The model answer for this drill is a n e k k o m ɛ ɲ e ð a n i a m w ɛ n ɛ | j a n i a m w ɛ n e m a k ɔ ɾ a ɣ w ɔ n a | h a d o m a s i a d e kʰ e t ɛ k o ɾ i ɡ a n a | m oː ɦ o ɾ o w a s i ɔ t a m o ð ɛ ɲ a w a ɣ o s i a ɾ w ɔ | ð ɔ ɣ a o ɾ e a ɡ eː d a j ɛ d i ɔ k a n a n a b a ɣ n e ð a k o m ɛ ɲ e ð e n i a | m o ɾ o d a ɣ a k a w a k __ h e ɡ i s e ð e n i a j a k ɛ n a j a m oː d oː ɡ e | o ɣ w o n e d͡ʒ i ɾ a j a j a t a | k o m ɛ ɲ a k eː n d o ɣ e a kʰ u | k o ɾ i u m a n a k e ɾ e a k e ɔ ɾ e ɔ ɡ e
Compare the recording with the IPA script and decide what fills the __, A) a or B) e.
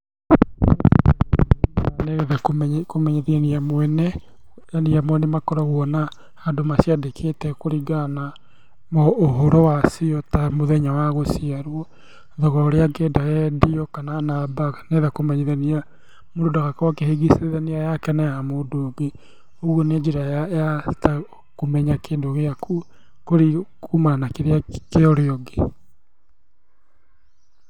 B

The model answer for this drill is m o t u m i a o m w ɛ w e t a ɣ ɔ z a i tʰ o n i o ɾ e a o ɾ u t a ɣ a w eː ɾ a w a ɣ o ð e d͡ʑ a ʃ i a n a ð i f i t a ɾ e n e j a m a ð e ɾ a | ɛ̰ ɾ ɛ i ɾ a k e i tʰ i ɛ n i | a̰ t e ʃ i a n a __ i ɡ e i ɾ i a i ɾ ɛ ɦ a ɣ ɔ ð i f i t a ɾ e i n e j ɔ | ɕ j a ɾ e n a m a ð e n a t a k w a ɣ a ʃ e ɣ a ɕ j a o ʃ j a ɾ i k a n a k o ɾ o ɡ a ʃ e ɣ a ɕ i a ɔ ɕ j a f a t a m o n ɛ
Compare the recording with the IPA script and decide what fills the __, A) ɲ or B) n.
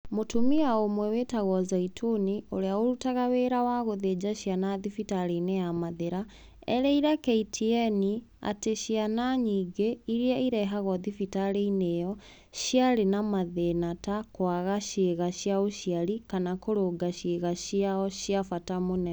A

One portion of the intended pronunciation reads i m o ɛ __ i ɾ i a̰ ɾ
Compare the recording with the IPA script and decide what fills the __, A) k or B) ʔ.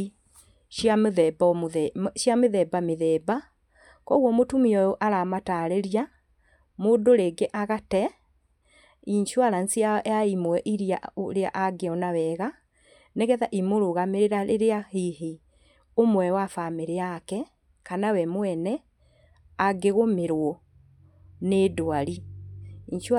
B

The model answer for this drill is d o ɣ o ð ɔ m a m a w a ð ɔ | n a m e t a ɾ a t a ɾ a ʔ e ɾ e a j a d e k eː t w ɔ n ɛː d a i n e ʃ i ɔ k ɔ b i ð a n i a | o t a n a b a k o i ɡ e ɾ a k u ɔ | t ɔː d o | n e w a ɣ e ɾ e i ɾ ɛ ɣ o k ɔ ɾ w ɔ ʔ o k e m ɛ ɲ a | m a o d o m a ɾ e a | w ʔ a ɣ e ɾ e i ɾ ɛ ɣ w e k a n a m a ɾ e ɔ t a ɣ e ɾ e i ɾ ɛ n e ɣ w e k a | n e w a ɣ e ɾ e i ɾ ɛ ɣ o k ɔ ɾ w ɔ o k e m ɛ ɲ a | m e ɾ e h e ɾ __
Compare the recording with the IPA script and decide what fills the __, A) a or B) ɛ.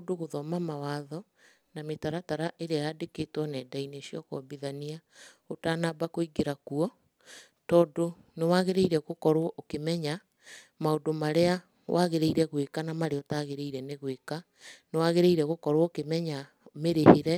B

